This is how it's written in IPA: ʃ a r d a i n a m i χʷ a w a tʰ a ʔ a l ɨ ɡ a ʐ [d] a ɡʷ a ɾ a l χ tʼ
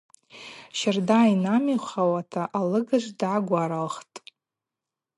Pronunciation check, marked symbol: correct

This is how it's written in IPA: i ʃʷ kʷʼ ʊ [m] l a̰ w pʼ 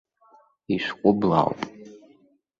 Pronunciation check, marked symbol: incorrect: b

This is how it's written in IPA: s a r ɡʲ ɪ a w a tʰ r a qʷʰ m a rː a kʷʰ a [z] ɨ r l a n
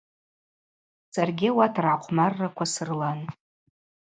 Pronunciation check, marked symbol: incorrect: s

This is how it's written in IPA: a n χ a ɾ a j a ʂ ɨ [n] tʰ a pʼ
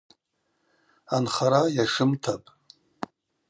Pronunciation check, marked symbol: incorrect: m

